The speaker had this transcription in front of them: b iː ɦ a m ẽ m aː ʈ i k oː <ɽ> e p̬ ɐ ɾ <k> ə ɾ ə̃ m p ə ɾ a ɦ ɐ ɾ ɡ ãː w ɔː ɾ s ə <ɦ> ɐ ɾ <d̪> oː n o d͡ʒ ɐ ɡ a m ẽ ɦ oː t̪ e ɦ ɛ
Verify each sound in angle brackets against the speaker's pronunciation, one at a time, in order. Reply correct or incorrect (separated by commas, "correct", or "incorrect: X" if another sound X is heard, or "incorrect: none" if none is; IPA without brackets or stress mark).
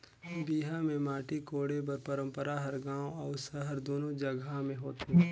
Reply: correct, incorrect: p, correct, correct